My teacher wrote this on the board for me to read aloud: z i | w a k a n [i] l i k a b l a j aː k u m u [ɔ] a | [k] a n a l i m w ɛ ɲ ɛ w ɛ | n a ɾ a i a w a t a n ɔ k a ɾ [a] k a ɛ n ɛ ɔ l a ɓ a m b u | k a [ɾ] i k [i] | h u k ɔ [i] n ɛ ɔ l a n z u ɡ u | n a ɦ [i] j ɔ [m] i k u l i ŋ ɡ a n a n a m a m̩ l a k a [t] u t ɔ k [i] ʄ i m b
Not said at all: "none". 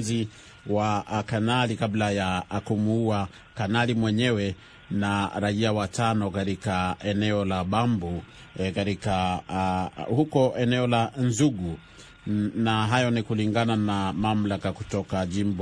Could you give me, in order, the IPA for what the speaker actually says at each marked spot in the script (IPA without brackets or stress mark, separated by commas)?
a, u, k, i, ɾ, a, ɛ, a, n, k, a